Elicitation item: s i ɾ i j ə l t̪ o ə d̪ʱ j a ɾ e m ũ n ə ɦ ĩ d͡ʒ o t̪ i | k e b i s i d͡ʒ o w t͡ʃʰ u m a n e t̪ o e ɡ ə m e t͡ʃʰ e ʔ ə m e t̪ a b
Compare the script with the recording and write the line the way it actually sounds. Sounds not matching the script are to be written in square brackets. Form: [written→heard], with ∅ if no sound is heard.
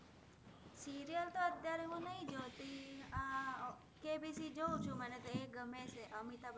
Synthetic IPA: s i ɾ i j ə l t̪ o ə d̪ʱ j a ɾ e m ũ n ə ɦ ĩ d͡ʒ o t̪ i | k e b i s i d͡ʒ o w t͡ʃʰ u m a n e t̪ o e ɡ ə m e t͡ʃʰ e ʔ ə m [e→i] t̪ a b